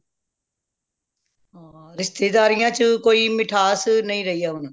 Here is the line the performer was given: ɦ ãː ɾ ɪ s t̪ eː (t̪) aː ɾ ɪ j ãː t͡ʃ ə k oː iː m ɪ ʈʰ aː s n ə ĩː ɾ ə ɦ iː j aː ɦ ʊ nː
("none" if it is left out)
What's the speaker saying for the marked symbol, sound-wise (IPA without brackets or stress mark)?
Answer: d̪